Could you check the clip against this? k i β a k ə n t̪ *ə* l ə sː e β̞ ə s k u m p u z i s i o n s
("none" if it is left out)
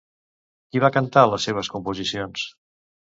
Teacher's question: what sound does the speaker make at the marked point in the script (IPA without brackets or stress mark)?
a